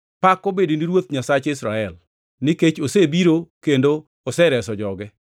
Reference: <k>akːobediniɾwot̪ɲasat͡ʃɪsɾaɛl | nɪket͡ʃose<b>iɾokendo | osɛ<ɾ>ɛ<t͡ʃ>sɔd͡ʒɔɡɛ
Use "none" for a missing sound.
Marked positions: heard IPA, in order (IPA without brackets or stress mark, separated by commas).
p, b, ɾ, none